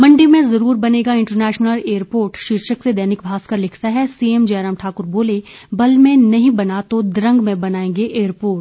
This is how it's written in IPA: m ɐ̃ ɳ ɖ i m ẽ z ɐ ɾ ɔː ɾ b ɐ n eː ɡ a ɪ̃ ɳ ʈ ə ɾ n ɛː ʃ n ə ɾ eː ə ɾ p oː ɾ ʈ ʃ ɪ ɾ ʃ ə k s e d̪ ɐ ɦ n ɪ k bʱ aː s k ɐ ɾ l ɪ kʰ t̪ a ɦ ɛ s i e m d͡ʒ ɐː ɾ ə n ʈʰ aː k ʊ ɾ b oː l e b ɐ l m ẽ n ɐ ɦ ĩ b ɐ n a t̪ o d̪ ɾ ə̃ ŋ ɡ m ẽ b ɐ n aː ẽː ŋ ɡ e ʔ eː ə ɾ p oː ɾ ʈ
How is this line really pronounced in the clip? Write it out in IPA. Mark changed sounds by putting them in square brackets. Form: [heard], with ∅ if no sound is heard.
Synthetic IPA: m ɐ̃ ɳ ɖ i m ẽ z ɐ ɾ [uː] ɾ b ɐ n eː ɡ a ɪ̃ ɳ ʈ ə ɾ n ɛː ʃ n ə [l] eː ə ɾ p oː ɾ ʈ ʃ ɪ ɾ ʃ ə k s e d̪ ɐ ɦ n ɪ k bʱ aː s k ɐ ɾ l ɪ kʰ t̪ a ɦ ɛ s i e m d͡ʒ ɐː ɾ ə [m] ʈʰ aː k ʊ ɾ b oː l e b ɐ l m ẽ n ɐ ɦ ĩ b ɐ n a t̪ o d̪ ɾ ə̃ ŋ ɡ m ẽ b ɐ n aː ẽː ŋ ɡ e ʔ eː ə ɾ p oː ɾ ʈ